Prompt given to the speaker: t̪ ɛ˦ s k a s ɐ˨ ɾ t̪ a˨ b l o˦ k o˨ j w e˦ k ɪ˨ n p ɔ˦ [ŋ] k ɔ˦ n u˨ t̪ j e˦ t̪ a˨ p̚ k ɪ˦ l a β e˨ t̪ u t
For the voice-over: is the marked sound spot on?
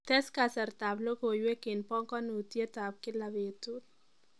yes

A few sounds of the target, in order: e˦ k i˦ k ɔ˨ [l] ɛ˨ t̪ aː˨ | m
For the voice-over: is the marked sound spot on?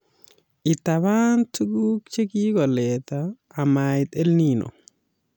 yes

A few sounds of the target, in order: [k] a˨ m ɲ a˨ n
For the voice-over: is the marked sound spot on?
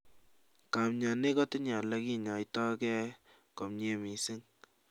yes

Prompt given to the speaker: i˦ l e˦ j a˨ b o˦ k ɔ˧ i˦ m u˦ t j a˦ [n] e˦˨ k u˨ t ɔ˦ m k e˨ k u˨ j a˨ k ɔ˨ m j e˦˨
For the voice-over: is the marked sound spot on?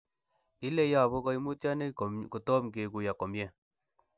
yes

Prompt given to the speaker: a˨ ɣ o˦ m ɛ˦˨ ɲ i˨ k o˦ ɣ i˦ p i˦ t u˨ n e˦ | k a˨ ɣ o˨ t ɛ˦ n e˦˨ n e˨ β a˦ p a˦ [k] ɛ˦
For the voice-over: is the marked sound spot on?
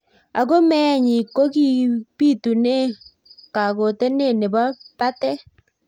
no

